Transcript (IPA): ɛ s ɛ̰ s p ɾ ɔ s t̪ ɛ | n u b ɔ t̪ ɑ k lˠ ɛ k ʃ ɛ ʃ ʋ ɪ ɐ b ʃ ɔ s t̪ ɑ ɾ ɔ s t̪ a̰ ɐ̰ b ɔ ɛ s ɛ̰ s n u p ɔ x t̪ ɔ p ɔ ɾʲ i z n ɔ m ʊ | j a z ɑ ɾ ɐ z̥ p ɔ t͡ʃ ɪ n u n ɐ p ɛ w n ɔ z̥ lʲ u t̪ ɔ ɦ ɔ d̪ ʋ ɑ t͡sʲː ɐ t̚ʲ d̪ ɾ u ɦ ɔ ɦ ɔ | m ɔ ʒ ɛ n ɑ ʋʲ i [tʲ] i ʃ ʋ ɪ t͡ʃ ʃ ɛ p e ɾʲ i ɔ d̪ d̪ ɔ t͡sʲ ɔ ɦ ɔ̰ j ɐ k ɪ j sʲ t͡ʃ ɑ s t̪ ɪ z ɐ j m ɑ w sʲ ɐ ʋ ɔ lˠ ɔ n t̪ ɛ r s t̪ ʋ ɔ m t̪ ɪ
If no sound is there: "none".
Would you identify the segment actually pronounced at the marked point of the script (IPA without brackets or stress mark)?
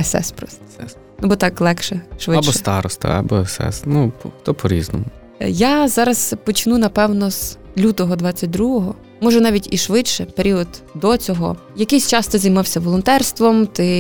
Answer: tʲ